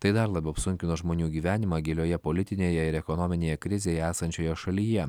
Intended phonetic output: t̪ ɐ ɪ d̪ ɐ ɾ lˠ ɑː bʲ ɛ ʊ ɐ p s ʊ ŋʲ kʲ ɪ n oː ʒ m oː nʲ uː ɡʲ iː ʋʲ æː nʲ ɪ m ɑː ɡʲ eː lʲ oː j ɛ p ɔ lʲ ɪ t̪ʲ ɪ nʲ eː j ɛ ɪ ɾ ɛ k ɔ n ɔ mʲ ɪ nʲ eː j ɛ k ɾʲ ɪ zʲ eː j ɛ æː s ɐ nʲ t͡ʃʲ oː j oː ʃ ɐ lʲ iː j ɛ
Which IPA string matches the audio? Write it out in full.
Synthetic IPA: t̪ ɐ ɪ d̪ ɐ ɾ lˠ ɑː bʲ ɛ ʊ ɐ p s ʊ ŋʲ kʲ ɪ n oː ʒ m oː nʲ uː ɡʲ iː ʋʲ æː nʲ ɪ m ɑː ɡʲ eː lʲ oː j ɛ p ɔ lʲ ɪ t̪ʲ ɪ nʲ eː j ɛ ɪ ɾ ɛ k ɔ n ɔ mʲ ɪ nʲ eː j ɛ k ɾʲ ɪ zʲ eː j ɛ æː s ɐ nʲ t͡ʃʲ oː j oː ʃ ɐ lʲ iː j ɛ